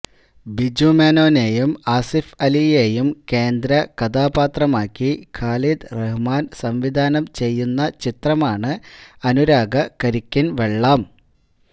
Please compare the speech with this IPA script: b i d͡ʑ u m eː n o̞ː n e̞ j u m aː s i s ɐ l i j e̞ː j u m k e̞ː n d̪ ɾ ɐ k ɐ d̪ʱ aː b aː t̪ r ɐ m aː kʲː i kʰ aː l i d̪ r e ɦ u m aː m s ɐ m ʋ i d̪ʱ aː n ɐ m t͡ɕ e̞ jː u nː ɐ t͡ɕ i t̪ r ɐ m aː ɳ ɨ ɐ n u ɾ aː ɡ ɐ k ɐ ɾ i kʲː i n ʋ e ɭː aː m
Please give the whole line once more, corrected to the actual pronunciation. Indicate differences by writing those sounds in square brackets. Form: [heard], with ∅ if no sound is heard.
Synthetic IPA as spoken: b i d͡ʑ u m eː n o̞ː n e̞ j u m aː s i [f] ɐ l i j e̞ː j u m k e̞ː n d̪ ɾ ɐ k ɐ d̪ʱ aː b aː t̪ r ɐ m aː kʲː i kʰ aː l i d̪ r e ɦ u m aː [n] s ɐ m ʋ i d̪ʱ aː n ɐ m t͡ɕ e̞ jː u nː ɐ t͡ɕ i t̪ r ɐ m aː ɳ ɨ ɐ n u ɾ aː ɡ ɐ k ɐ ɾ i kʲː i n ʋ e ɭː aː m